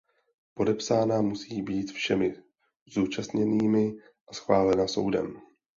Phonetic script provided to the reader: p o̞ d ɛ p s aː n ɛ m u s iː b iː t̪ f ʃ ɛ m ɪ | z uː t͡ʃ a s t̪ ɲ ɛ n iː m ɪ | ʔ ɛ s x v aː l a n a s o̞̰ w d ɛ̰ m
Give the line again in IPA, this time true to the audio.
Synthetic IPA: p o̞ d ɛ p s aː n a m u s iː b iː t̪ f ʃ ɛ m ɪ | z uː t͡ʃ a s t̪ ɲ ɛ n iː m ɪ | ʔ a s x v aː l ɛ n a s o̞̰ w d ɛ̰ m